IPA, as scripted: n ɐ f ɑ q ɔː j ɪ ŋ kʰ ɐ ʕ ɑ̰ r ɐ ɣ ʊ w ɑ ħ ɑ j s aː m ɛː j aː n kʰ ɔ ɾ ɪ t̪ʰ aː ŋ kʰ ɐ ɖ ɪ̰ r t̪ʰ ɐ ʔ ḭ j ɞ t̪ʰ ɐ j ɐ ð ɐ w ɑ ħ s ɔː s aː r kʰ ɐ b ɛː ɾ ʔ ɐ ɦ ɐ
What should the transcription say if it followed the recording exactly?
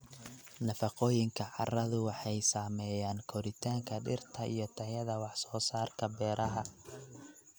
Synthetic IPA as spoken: n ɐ f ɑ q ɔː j ɪ ŋ kʰ ɐ ʕ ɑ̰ r ɐ ð ʊ w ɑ ħ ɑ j s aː m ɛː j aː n kʰ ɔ ɾ ɪ t̪ʰ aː ŋ kʰ ɐ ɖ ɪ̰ r t̪ʰ ɐ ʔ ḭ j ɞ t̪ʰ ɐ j ɐ ð ɐ w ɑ ħ s ɔː s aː r kʰ ɐ b ɛː ɾ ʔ ɐ ɦ ɐ